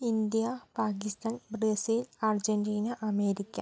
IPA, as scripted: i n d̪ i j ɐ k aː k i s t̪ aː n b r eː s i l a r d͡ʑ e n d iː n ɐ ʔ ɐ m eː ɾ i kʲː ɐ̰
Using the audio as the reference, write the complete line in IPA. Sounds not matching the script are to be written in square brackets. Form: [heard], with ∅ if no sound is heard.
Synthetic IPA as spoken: i n d̪ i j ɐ [p] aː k i s t̪ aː n b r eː s i l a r d͡ʑ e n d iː n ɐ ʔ ɐ m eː ɾ i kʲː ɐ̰

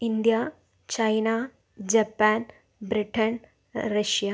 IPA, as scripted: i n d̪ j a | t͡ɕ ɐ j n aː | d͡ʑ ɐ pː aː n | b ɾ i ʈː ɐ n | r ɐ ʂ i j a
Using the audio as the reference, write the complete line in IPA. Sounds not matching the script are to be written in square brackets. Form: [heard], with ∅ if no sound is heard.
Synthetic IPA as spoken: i n d̪ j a | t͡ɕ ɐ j n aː | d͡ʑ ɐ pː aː n | b ɾ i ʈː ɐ n | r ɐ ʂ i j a

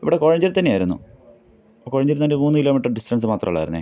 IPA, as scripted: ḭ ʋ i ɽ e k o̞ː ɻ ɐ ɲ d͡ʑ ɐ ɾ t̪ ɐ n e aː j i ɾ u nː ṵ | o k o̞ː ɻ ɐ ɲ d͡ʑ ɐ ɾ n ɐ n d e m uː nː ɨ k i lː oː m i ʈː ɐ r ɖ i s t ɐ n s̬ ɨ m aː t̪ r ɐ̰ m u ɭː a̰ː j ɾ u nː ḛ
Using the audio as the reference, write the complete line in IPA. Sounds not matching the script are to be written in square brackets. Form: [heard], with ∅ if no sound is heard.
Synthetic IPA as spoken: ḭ ʋ i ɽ e k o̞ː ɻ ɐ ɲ d͡ʑ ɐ ɾ t̪ ɐ [nː] e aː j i ɾ u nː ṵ | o k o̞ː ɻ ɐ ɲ d͡ʑ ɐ ɾ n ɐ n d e m uː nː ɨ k i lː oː m i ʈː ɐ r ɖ i s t ɐ n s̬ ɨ m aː t̪ r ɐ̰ m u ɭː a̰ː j ɾ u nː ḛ

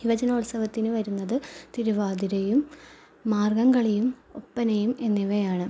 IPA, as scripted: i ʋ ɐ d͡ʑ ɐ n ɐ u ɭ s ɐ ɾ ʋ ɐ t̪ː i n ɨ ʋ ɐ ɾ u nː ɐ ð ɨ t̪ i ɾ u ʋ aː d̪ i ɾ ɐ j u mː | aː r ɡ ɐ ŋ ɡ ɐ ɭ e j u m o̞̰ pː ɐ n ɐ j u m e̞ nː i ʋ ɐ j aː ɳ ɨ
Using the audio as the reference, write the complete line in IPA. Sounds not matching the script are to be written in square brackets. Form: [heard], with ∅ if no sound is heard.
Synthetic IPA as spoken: i ʋ ɐ d͡ʑ ɐ n ɐ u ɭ s ɐ [∅] ʋ ɐ t̪ː i n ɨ ʋ ɐ ɾ u nː ɐ ð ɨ t̪ i ɾ u ʋ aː d̪ i ɾ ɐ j u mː | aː r ɡ ɐ ŋ ɡ ɐ ɭ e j u m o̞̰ pː ɐ n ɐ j u m e̞ nː i ʋ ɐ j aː ɳ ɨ

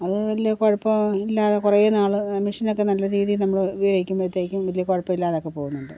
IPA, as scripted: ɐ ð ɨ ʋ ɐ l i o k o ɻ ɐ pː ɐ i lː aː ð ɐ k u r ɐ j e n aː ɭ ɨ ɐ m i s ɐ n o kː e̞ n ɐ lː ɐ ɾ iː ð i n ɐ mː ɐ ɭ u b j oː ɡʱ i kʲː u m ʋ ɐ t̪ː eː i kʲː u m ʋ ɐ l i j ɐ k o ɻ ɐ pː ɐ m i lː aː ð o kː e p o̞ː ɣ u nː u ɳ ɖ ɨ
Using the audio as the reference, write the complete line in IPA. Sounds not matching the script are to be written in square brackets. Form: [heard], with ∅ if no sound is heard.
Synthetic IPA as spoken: ɐ ð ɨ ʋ ɐ l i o k o ɻ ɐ pː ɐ i lː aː ð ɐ k u r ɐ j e n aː ɭ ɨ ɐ m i [ʂ] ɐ n o kː e̞ n ɐ lː ɐ ɾ iː ð i n ɐ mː ɐ ɭ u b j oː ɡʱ i kʲː u m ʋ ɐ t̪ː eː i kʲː u m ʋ ɐ l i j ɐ k o ɻ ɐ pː ɐ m i lː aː ð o kː e p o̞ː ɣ u nː u ɳ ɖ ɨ

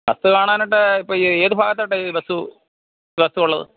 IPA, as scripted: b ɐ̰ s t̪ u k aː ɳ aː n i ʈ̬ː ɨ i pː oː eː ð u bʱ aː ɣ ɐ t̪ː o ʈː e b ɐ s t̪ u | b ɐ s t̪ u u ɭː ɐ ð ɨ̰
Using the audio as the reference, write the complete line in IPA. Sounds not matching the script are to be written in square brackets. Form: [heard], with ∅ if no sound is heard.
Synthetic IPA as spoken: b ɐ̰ s t̪ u k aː ɳ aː n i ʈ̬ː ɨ i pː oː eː ð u bʱ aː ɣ ɐ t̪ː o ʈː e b ɐ s t̪ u | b ɐ s t̪ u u ɭː ɐ ð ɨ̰

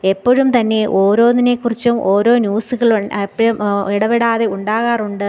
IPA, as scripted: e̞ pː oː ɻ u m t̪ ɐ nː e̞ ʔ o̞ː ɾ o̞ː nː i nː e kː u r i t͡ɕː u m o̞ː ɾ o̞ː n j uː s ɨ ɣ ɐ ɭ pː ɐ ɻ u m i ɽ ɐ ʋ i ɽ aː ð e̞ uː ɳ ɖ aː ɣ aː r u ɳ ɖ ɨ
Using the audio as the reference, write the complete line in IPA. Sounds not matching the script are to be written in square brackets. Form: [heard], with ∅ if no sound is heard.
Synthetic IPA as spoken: e̞ pː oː ɻ u m t̪ ɐ nː e̞ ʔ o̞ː ɾ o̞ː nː i [n] e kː u r i t͡ɕː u m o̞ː ɾ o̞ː n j uː s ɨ ɣ ɐ ɭ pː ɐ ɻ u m i ɽ ɐ ʋ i ɽ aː ð e̞ [u] ɳ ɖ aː ɣ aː r u ɳ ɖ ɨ

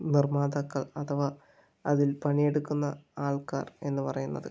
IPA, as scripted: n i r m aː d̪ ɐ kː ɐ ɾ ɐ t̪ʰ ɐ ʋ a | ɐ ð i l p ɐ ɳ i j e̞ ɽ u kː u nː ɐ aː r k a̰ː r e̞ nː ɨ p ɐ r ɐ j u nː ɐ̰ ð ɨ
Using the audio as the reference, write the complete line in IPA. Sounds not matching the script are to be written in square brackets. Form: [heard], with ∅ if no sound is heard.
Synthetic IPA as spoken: n i r m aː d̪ ɐ kː ɐ [ɭ] ɐ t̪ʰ ɐ ʋ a | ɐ ð i l p ɐ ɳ i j e̞ ɽ u kː u nː ɐ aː [ɭ] k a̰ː r e̞ nː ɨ p ɐ r ɐ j u nː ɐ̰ ð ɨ

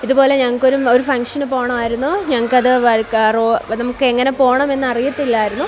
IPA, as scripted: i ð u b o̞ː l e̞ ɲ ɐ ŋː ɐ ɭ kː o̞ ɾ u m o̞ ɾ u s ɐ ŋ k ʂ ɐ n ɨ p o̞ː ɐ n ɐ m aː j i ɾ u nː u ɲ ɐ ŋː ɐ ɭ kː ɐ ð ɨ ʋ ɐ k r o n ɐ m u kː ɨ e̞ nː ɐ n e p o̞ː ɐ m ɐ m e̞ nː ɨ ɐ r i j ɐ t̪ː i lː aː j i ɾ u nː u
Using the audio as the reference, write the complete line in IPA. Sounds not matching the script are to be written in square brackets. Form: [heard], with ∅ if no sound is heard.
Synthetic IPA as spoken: i ð u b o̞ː l e̞ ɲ ɐ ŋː ɐ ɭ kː o̞ ɾ u m o̞ ɾ u [f] ɐ ŋ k ʂ ɐ n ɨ p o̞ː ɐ [ɳ] ɐ m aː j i ɾ u nː u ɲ ɐ ŋː ɐ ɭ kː ɐ ð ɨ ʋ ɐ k r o n ɐ m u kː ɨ e̞ [ŋː] ɐ n e p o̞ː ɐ [ɳ] ɐ m e̞ nː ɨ ɐ r i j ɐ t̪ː i lː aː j i ɾ u nː u

